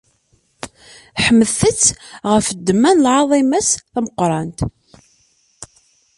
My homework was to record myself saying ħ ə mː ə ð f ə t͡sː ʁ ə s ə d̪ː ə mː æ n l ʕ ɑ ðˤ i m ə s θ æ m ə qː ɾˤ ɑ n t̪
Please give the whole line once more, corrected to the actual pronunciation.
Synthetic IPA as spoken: ħ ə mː ə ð θ ə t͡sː ʁ ə f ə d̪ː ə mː æ n l ʕ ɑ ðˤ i m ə s θ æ m ə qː ɾˤ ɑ n t̪